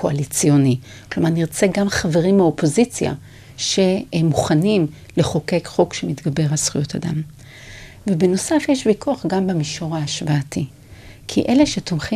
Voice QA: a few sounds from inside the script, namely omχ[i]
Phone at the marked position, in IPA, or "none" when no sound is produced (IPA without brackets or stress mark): i